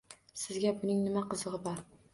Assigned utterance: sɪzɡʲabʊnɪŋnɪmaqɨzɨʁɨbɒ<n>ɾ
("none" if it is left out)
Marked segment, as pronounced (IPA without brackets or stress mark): none